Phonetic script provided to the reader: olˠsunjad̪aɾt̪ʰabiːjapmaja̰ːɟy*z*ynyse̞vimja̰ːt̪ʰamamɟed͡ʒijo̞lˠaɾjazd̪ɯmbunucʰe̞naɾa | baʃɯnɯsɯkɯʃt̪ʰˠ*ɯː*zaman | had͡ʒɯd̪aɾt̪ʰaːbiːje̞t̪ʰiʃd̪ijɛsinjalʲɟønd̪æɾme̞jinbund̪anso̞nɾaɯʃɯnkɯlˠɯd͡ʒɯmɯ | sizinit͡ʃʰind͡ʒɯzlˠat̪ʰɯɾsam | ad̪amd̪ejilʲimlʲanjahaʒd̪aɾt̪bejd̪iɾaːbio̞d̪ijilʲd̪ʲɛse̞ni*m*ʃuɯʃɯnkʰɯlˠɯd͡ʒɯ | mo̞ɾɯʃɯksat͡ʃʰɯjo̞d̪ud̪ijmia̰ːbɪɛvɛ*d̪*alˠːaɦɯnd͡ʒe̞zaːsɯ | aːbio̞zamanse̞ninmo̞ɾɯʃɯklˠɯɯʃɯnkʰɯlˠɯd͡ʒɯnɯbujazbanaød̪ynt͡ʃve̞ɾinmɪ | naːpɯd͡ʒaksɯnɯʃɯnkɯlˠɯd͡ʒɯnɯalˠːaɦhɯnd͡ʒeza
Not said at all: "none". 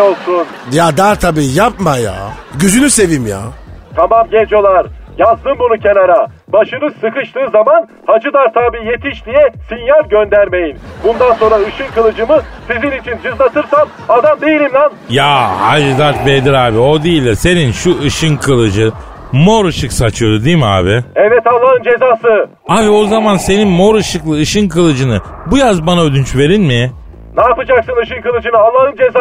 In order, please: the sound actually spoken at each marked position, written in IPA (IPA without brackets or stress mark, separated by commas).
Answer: z, ɯː, n, t̪